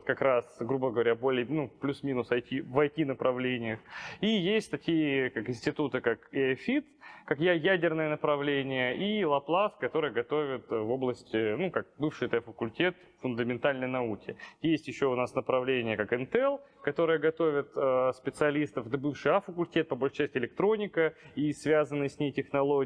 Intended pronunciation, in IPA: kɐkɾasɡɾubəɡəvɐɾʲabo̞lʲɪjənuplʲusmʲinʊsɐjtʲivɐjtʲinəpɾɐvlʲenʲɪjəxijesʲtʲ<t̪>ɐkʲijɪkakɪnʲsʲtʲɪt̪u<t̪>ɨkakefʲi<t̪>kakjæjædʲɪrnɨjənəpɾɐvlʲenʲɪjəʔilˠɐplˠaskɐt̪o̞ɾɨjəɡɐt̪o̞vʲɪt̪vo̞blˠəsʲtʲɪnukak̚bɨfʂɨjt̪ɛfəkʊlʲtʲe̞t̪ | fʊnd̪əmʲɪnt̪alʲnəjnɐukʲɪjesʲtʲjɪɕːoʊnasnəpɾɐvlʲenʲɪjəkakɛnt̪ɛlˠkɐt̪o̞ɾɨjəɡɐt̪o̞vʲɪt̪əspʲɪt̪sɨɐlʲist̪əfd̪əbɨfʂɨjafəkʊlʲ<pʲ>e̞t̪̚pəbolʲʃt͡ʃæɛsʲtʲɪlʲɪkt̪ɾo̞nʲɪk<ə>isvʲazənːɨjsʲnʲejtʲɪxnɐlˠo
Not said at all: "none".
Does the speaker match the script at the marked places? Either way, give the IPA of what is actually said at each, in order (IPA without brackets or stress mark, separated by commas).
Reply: t̪, t̪, t̪, tʲ, ə